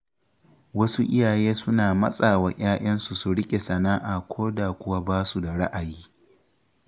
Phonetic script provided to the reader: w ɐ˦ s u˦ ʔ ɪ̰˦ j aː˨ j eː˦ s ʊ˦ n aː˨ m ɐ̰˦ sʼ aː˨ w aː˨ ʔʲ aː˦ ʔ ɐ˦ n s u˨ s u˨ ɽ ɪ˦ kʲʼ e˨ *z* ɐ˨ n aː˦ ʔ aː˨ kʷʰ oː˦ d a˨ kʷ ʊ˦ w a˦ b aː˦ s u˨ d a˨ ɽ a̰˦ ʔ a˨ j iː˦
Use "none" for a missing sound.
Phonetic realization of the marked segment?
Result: s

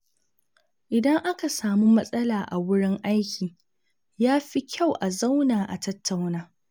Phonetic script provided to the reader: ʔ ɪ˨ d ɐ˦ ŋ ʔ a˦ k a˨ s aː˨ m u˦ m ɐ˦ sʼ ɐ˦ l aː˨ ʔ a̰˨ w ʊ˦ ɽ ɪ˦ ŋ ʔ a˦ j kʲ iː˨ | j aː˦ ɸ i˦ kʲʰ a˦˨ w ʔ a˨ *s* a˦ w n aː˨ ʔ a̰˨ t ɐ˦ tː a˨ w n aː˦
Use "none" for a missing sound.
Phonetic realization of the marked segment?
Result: z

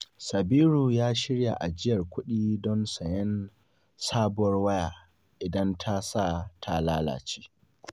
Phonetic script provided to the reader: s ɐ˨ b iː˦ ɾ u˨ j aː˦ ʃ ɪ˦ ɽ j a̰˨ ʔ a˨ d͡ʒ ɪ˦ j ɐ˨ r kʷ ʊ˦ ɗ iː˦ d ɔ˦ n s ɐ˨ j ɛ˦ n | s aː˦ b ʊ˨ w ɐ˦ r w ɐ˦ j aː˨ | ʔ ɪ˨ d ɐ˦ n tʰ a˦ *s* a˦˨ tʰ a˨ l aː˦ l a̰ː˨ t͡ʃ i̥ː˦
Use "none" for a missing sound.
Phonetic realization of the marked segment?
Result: s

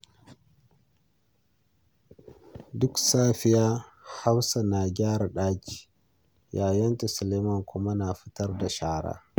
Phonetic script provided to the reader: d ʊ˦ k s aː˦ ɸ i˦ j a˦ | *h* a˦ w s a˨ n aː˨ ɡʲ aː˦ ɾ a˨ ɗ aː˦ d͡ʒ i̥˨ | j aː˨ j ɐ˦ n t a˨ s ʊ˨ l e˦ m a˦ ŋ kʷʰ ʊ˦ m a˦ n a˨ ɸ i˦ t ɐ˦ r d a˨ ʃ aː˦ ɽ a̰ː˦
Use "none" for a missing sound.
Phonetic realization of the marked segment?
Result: h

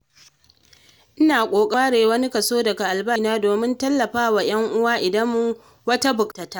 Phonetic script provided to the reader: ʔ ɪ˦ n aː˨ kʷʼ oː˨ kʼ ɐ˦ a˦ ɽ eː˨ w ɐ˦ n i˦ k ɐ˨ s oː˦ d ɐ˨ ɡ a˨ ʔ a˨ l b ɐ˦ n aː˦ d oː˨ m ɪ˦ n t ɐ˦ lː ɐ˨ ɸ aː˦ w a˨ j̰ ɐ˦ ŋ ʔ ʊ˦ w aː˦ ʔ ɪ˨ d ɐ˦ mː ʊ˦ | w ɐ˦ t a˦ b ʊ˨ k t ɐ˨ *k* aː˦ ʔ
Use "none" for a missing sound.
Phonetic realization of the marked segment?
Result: t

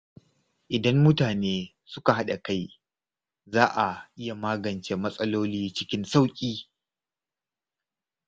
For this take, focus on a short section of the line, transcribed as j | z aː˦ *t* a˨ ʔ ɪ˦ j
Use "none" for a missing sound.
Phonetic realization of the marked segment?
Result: ʔ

